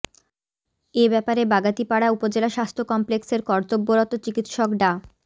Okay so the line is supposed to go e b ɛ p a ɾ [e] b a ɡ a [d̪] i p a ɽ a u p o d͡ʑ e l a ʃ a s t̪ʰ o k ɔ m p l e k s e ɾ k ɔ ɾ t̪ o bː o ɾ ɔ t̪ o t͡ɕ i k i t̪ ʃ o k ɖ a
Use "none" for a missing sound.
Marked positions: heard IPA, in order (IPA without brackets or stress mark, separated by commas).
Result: e, t̪